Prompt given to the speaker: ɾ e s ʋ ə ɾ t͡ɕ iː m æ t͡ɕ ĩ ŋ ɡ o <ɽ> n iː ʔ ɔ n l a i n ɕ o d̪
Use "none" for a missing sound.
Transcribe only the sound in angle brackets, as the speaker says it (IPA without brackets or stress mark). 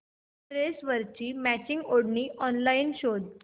ɽ